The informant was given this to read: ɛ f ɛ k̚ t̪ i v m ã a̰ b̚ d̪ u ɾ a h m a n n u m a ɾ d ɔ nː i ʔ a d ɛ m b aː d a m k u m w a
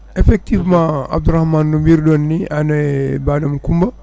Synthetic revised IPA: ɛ f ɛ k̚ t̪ i v m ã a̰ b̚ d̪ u ɾ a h m a n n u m i ɾ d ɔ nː i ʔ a n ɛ b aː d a m k u m b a